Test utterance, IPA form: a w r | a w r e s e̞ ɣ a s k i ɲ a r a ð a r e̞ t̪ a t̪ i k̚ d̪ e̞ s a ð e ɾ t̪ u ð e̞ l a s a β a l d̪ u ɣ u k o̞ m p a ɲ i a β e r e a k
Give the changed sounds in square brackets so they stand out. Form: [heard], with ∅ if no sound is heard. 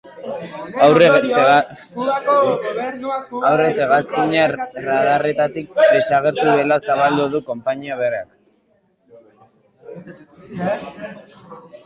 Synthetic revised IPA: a w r | a w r e s e̞ ɣ a s k i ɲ a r a ð a r e̞ t̪ a t̪ i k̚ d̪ e̞ s a [ɣ] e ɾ t̪ u ð e̞ l a s a β a l d̪ u [ð] u k o̞ m p a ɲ i a β e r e a k